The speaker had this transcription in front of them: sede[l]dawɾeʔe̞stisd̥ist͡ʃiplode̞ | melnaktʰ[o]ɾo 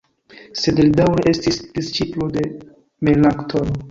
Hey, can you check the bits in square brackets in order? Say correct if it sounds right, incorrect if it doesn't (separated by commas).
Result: correct, correct